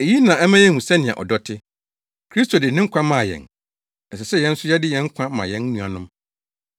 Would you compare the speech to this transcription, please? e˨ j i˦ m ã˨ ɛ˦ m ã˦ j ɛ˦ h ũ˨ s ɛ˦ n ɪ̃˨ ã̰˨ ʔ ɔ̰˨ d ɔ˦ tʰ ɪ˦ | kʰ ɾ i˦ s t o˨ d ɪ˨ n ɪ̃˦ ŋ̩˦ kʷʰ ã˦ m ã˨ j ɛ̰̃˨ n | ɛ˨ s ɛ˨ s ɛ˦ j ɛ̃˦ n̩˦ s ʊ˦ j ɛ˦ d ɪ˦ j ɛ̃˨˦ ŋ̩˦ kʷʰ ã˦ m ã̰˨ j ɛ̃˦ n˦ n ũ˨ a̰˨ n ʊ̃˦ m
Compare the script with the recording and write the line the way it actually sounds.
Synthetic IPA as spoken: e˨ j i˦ n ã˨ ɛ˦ m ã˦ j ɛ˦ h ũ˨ s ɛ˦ n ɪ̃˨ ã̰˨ ʔ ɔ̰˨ d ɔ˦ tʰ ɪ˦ | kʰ ɾ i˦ s t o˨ d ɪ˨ n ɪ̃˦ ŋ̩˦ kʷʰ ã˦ m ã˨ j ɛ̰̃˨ n | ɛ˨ s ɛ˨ s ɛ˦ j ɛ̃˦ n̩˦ s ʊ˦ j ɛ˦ d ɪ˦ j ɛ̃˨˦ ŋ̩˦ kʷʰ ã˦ m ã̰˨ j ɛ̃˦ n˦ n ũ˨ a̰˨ n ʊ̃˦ m